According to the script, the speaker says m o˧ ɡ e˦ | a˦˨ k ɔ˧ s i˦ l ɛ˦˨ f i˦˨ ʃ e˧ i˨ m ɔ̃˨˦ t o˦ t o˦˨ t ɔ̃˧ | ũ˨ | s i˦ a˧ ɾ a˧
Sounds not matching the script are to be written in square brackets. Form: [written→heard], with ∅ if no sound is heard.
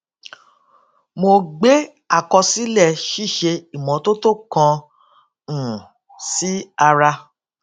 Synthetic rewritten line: m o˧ [ɡ→ɡ͡b] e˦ | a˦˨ k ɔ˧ s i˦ l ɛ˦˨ [f→ʃ] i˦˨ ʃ e˧ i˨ m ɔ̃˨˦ t o˦ t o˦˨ [t→k] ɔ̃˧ | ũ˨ | s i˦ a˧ ɾ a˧